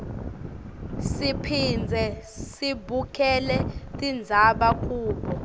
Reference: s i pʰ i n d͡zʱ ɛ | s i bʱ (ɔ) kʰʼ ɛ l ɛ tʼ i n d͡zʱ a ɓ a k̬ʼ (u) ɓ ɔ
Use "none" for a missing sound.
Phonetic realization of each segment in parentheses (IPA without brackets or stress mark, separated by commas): u, uː